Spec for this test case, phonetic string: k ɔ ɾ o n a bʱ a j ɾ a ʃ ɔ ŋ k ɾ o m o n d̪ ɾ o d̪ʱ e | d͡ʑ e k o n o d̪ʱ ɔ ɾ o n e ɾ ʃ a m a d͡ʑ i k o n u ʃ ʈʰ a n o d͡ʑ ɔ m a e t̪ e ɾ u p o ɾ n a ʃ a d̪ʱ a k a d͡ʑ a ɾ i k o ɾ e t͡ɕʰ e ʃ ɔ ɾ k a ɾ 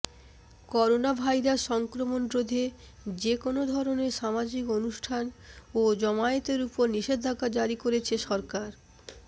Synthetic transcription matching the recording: k ɔ ɾ o n a bʱ a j ɾ a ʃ ɔ ŋ k ɾ o m o n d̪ ɾ o d̪ʱ e | d͡ʑ e k o n o d̪ʱ ɔ ɾ o n e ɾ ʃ a m a d͡ʑ i k o n u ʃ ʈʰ a n o d͡ʑ ɔ m a e t̪ e ɾ u p o ɾ n i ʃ e d̪ʱ a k a d͡ʑ a ɾ i k o ɾ e t͡ɕʰ e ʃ ɔ ɾ k a ɾ